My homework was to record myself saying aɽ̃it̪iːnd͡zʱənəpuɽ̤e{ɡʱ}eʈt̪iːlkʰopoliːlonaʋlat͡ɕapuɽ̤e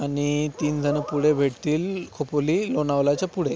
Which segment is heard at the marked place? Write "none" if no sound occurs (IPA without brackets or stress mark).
bʱ